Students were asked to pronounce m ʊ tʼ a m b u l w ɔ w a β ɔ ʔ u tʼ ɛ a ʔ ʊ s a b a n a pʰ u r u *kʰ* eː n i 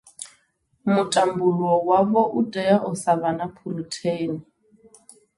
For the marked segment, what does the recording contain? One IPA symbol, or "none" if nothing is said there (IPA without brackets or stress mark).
tʰ